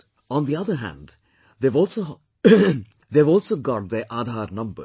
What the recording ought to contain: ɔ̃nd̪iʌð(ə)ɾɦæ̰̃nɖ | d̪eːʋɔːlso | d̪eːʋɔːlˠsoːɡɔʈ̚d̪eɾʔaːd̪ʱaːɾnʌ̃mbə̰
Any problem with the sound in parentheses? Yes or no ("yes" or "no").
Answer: no